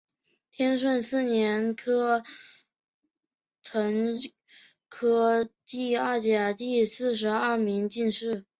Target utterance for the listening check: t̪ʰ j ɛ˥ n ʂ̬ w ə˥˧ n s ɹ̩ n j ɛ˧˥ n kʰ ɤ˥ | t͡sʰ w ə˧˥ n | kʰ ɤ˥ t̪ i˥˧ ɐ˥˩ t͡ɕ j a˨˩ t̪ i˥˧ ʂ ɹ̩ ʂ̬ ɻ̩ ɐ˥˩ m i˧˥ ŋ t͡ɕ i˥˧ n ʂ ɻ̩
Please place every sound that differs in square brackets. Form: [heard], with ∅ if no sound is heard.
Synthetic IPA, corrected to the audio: t̪ʰ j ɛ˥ n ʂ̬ w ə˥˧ n s ɹ̩ n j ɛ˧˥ n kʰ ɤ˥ | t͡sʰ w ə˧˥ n | kʰ ɤ˥ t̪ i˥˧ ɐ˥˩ t͡ɕ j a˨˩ t̪ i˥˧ [s] ɹ̩ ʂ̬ ɻ̩ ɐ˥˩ m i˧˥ ŋ t͡ɕ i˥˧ n ʂ ɻ̩